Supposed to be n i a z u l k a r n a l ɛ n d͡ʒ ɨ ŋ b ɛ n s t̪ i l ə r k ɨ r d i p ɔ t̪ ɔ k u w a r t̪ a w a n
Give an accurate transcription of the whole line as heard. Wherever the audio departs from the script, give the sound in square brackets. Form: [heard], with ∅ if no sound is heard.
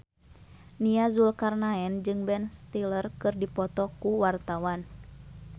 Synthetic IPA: n i a z u l k a r n a [∅] ɛ n d͡ʒ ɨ ŋ b ɛ n s t̪ i l ə r k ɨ r d i p ɔ t̪ ɔ k u w a r t̪ a w a n